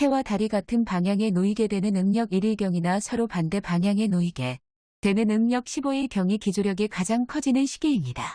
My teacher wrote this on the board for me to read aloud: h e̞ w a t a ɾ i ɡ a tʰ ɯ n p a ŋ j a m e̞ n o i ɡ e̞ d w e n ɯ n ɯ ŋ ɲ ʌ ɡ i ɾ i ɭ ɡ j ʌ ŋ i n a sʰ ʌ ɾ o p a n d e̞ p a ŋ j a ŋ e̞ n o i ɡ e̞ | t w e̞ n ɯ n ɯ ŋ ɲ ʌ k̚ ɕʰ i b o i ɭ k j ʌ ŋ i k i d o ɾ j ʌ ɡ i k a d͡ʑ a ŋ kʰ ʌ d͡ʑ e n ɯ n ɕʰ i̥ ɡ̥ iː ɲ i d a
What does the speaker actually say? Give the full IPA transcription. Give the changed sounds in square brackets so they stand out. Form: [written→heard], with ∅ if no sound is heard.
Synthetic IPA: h e̞ w a t a ɾ i ɡ a tʰ ɯ n p a ŋ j a [m→ŋ] e̞ n o i ɡ e̞ d w e n ɯ n ɯ ŋ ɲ ʌ ɡ i ɾ i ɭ ɡ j ʌ ŋ i n a sʰ ʌ ɾ o p a n d e̞ p a ŋ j a ŋ e̞ n o i ɡ e̞ | t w e̞ n ɯ n ɯ ŋ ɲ ʌ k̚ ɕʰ i b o i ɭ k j ʌ ŋ i k i [d→d͡ʑ] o ɾ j ʌ ɡ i k a d͡ʑ a ŋ kʰ ʌ d͡ʑ [e→i] n ɯ n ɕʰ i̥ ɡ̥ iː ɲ i d a